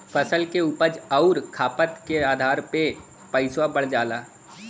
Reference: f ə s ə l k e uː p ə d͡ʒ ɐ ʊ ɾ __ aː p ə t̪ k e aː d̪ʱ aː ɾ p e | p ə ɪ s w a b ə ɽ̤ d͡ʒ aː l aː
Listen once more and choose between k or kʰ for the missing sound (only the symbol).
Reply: kʰ